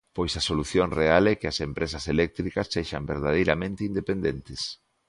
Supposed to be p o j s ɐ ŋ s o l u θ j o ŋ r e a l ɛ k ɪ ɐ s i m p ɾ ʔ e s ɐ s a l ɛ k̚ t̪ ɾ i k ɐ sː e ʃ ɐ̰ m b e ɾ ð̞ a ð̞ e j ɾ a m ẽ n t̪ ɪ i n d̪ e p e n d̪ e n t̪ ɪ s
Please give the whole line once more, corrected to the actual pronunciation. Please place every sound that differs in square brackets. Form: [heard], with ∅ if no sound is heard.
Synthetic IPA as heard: p o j s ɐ [∅] s o l u θ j o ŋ r e a l ɛ k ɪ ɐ s [e] m p ɾ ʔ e s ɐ s [e] l ɛ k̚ t̪ ɾ i k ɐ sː e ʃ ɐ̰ m b e ɾ ð̞ a ð̞ e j ɾ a m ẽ n t̪ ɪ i n d̪ e p e n d̪ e n t̪ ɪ s